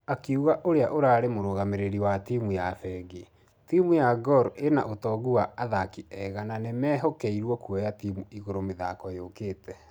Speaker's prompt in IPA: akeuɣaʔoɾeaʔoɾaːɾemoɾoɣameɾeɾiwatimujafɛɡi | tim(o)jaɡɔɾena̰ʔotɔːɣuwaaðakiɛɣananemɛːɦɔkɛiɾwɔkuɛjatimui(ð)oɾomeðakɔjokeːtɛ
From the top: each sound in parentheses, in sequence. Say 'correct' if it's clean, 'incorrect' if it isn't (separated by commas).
incorrect, incorrect